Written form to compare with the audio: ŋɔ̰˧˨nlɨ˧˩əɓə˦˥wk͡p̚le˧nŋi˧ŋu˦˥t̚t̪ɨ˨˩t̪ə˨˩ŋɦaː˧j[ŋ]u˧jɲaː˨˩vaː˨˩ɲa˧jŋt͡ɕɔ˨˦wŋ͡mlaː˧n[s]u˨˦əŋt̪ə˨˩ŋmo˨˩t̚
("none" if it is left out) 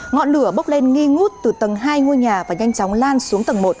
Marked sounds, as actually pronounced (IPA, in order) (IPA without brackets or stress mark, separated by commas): ŋ, s